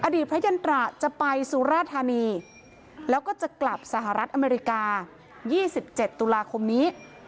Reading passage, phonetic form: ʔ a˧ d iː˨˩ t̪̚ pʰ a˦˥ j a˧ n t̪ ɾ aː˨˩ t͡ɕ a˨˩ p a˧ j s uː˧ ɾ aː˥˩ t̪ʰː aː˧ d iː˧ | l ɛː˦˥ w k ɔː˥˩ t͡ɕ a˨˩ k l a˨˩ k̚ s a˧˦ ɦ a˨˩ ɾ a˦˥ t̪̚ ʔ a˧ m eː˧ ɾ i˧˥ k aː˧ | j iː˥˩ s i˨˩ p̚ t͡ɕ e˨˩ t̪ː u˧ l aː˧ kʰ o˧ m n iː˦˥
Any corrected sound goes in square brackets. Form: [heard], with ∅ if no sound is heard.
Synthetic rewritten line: ʔ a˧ d iː˨˩ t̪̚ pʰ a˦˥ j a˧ n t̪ ɾ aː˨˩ t͡ɕ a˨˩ p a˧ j s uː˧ ɾ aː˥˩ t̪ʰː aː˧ [n] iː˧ | l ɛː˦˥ w k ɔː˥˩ t͡ɕ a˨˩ k l a˨˩ [p̚] s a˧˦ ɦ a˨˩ ɾ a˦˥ t̪̚ ʔ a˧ m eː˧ ɾ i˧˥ k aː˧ | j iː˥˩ s i˨˩ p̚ t͡ɕ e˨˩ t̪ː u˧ l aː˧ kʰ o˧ m n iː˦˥